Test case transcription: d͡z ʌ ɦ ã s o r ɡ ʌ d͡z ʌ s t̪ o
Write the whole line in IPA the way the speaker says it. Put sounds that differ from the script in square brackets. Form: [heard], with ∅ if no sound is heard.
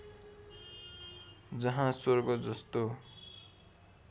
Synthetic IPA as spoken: d͡z ʌ ɦ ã s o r ɡ ʌ d͡z ʌ s t̪ o